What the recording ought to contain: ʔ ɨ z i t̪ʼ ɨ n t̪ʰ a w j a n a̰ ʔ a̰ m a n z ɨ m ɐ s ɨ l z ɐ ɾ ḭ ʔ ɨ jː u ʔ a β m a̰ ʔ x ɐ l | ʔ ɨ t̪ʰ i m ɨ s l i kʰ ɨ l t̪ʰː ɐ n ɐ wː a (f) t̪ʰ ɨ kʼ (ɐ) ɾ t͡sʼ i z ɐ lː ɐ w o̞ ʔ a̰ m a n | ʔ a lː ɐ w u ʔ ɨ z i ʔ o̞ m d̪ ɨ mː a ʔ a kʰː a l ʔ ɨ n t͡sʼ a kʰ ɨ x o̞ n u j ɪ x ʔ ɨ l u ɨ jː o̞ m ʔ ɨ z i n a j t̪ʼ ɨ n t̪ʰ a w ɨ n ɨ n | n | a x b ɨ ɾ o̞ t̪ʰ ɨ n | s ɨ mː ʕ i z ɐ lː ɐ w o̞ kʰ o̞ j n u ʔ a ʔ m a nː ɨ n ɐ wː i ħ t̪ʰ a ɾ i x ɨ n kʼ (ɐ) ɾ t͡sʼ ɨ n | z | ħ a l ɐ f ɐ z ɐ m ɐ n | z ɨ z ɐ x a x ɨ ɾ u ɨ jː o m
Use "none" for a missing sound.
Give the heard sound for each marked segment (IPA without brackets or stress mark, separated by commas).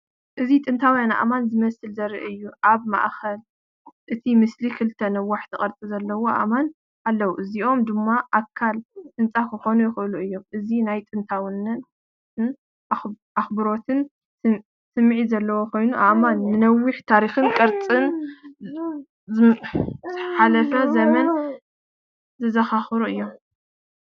ħ, ɐ, ɐ